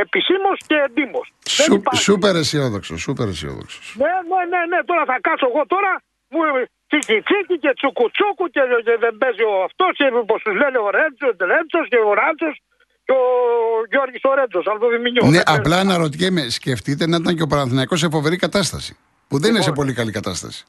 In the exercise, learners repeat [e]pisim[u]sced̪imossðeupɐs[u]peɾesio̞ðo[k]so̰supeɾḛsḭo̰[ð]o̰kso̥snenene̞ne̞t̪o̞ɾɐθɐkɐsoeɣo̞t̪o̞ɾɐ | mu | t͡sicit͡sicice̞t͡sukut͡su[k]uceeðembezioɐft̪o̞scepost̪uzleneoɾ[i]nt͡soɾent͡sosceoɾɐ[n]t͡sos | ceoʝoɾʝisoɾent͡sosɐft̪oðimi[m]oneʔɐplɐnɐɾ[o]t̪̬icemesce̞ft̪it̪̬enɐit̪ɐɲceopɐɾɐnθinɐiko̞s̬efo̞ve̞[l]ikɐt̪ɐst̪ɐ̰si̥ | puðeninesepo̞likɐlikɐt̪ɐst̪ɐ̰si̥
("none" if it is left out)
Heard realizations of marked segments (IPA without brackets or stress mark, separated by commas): e, o, u, k, ð, k, e, n, ɲ, o, ɾ